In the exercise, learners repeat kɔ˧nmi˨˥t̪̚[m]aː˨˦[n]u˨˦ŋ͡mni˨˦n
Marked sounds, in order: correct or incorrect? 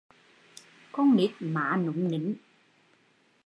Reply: correct, correct

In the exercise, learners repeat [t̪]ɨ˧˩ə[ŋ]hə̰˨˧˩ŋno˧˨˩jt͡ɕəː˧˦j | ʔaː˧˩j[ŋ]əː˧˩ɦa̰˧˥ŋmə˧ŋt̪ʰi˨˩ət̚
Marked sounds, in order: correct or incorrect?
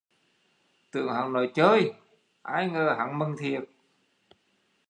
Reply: correct, correct, correct

